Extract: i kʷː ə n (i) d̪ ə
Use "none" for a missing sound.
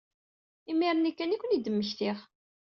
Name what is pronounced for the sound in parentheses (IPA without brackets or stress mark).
i